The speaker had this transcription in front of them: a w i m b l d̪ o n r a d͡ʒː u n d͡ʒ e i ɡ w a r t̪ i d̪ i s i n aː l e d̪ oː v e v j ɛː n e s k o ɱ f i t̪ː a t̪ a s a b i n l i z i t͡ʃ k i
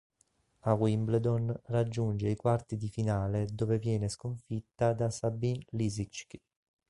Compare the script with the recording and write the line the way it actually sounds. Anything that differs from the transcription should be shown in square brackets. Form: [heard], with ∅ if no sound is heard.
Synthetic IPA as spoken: a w i m b l d̪ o n r a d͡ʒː u n d͡ʒ e i [k] w a r t̪ i d̪ i [f] i n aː l e d̪ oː v e v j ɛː n e s k o ɱ f i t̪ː a [d̪] a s a b i n l i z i t͡ʃ k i